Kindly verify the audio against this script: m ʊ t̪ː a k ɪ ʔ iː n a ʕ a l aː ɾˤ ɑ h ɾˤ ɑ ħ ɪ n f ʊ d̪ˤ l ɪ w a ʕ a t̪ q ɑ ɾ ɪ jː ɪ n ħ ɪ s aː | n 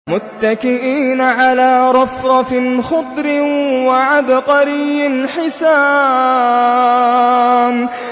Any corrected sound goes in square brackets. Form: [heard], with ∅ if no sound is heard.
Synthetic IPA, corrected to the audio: m ʊ t̪ː a k ɪ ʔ iː n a ʕ a l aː ɾˤ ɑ [f] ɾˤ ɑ [f] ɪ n [x] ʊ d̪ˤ [ɾ] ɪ w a ʕ a [d̪] q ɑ ɾ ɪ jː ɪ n ħ ɪ s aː | n